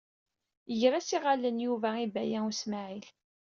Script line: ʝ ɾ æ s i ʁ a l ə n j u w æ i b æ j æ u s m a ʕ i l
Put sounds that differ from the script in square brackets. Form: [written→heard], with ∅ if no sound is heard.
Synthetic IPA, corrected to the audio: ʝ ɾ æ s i ʁ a l ə n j u [w→v] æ i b æ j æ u s m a ʕ i l

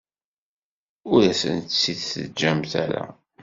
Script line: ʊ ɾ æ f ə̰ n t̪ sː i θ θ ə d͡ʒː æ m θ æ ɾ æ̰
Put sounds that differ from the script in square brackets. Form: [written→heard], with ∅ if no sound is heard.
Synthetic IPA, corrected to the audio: ʊ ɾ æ [f→s] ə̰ n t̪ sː i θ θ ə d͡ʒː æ m θ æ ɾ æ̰

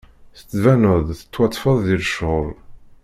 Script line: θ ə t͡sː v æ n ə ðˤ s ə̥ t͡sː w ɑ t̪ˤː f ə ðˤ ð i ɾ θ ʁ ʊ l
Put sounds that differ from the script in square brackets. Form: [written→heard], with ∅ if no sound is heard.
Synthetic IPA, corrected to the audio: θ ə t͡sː v æ n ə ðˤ [s→θ] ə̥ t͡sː w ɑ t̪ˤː f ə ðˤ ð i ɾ [θ→ʃ] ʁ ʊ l

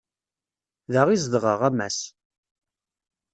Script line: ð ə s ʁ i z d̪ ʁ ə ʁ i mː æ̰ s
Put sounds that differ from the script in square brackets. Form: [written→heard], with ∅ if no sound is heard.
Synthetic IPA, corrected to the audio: ð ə [s→∅] ʁ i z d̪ ʁ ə ʁ [i→æ] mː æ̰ s

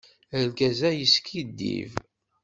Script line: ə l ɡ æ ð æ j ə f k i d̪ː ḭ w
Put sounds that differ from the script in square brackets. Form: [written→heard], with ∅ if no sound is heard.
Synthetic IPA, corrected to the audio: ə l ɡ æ [ð→z] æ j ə [f→s] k i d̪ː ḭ [w→v]

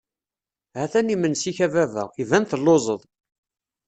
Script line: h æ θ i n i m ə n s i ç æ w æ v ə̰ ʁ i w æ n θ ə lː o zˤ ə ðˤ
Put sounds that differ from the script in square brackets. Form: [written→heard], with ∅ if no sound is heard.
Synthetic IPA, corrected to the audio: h æ θ [i→æ] n i m ə n s i ç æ [w→v] æ v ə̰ ʁ i [w→v] æ n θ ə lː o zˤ ə ðˤ

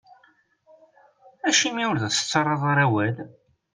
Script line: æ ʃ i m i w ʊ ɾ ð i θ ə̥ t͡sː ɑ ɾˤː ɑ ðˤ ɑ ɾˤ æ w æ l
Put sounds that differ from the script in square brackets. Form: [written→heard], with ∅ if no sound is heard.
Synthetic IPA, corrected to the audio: æ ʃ i m i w ʊ ɾ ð [i→æ] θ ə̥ t͡sː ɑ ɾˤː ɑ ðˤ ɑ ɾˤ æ w æ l

